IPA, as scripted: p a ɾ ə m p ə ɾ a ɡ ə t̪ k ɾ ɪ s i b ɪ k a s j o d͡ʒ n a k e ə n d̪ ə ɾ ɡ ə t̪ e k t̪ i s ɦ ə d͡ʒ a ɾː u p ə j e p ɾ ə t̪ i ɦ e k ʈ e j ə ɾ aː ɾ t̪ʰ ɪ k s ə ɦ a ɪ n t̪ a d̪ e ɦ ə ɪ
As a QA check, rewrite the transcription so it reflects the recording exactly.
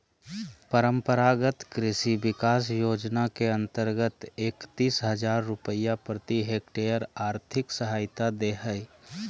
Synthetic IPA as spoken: p ə ɾ ə m p ə ɾ a ɡ ə t̪ k ɾ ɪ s i b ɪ k a s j o d͡ʒ n a k e ə n t̪ ə ɾ ɡ ə t̪ e k t̪ i s ɦ ə d͡ʒ a ɾː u p ə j a p ɾ ə t̪ i ɦ e k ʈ e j ə ɾ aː ɾ t̪ʰ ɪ k s ə ɦ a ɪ t̪ a d̪ e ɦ ə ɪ